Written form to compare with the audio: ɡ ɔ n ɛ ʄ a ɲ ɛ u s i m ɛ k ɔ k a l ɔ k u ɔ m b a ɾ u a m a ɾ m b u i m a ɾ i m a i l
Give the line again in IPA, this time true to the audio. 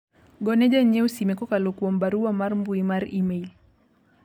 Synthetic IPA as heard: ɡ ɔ n ɛ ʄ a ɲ ɛ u s i m ɛ k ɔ k a l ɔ k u ɔ m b a ɾ u a m a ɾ m b u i m a ɾ i m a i l